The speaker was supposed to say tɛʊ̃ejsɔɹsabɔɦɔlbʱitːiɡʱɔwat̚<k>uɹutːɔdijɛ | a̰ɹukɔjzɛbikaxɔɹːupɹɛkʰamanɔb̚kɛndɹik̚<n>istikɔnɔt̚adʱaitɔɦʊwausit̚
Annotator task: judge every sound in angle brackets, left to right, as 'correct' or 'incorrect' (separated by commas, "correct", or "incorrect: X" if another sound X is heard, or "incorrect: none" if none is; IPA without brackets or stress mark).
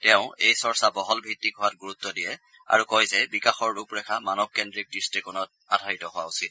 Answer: incorrect: ɡ, incorrect: d